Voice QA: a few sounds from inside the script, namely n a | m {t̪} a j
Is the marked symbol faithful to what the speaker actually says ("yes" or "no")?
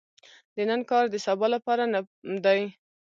no